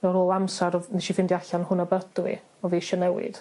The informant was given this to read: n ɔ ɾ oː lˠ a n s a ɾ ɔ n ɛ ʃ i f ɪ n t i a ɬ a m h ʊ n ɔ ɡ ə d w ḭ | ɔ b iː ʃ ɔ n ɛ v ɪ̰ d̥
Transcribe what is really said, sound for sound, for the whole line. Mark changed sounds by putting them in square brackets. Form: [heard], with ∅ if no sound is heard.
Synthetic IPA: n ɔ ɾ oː lˠ a [m] s a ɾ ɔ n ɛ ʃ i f ɪ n [d] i a ɬ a [n] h ʊ n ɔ [b] ə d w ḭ | ɔ [v] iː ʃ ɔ n ɛ [w] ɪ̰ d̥